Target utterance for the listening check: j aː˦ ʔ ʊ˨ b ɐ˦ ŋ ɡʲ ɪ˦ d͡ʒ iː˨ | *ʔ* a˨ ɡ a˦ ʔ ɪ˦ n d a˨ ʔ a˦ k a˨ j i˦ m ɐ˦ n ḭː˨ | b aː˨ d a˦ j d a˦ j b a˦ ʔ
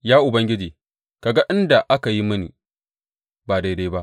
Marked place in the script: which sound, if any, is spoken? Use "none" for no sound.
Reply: k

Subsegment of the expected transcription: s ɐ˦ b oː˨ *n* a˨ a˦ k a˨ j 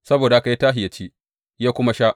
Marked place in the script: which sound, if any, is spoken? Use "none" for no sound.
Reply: d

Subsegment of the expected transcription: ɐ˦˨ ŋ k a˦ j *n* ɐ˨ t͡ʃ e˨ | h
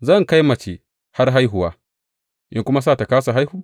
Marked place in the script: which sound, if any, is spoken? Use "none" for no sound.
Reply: m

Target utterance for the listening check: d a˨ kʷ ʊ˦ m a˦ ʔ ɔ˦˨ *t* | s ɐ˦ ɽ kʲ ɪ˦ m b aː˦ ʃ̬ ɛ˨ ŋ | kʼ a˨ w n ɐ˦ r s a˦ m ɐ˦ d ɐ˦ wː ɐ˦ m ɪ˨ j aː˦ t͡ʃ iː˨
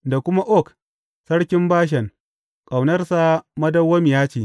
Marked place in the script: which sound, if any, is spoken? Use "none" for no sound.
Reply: k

